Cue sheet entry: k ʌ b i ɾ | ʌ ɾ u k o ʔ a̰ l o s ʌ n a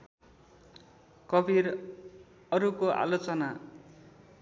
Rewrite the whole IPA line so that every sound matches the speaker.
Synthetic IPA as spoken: k ʌ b i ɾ | ʌ ɾ u k o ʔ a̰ l o t͡s ʌ n a